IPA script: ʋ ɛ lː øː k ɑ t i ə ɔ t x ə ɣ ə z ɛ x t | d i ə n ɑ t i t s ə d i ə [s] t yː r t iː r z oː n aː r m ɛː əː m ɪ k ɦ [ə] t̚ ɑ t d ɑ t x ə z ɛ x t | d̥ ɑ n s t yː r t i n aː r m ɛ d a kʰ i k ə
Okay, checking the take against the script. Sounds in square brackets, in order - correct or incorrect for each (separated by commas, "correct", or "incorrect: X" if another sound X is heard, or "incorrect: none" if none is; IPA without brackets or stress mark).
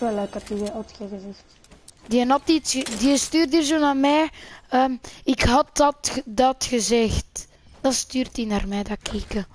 correct, incorrect: ɑ